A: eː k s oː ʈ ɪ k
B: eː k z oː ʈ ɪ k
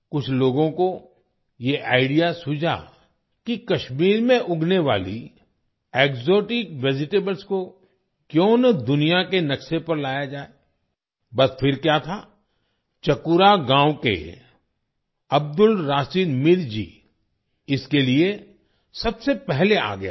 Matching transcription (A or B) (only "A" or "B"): B